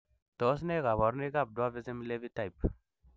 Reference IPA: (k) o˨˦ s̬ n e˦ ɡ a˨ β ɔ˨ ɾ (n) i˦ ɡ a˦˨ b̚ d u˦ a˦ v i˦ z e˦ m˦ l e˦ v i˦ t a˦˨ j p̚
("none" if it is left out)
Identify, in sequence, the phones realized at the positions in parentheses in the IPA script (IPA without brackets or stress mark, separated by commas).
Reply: t, n